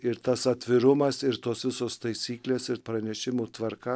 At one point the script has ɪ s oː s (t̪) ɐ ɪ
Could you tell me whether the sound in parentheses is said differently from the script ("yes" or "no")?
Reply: no